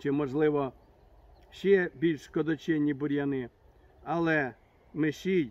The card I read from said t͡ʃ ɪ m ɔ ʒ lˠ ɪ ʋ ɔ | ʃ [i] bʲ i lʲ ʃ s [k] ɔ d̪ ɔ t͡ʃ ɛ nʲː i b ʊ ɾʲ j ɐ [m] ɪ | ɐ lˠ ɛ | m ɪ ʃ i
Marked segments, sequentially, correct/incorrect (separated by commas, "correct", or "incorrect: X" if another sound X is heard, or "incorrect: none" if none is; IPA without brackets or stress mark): incorrect: ɛ, correct, incorrect: n